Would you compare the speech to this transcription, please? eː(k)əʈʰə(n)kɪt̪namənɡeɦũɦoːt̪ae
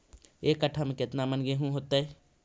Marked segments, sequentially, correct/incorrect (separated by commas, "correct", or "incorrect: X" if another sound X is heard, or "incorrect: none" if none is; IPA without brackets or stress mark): correct, incorrect: m